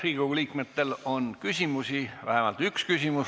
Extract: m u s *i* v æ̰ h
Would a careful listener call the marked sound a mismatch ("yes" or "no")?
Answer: no